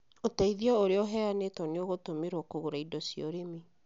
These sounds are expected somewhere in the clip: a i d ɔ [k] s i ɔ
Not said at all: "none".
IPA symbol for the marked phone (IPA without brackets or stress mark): none